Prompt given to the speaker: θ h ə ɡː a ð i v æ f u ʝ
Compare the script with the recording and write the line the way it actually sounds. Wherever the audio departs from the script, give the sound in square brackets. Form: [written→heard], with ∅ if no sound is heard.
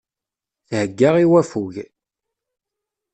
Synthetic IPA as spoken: θ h ə ɡː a [ð→ʁ] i [v→w] æ f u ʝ